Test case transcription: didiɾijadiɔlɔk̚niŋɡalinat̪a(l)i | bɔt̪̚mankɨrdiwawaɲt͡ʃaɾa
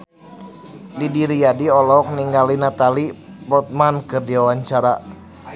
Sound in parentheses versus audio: correct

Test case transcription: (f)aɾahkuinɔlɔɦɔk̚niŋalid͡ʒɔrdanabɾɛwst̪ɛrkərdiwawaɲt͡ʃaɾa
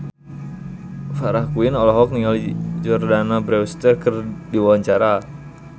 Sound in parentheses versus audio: correct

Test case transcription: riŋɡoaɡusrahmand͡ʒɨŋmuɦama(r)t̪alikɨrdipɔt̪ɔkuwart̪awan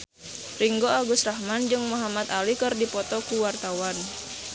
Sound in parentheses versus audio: incorrect: none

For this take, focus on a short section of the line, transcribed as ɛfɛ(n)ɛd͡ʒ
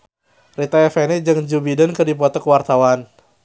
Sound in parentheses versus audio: correct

